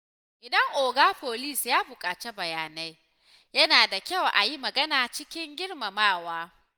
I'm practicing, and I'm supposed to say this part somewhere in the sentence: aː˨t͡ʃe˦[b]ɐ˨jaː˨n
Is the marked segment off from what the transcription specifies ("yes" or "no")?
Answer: no